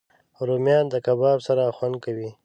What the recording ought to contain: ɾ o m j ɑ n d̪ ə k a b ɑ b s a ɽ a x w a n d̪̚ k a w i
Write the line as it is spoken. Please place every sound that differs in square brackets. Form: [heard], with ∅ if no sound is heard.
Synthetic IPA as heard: ɾ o m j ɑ n d̪ ə k a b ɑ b s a [ɾ] a x w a n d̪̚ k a w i